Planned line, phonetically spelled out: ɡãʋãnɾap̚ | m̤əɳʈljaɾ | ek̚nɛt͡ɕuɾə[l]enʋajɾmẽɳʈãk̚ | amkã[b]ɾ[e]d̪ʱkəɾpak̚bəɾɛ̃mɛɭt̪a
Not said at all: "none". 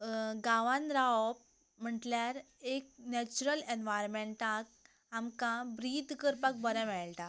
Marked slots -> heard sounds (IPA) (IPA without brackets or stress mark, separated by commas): l, b, i